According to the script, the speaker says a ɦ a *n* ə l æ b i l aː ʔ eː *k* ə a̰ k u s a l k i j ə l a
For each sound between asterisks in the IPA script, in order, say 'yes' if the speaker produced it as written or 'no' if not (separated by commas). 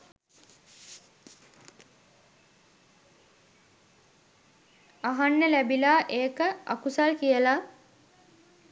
no, yes